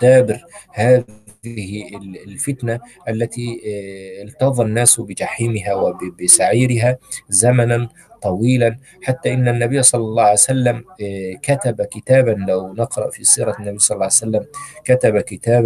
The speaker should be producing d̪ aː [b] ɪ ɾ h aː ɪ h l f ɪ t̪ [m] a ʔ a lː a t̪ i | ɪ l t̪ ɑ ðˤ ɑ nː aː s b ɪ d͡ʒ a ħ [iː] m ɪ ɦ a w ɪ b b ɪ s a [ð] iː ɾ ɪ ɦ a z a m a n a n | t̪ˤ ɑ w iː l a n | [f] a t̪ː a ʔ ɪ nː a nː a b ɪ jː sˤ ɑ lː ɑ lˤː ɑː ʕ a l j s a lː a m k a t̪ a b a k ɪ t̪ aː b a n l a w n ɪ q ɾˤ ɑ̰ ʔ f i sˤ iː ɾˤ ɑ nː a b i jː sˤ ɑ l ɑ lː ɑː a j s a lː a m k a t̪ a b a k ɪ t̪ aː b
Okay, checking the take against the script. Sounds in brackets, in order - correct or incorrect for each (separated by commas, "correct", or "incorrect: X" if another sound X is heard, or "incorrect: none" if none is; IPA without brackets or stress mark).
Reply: correct, incorrect: n, correct, incorrect: ʕ, incorrect: ħ